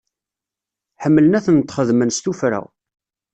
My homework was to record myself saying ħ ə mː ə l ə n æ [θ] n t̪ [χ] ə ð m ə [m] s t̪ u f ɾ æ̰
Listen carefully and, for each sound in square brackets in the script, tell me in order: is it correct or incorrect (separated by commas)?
correct, correct, incorrect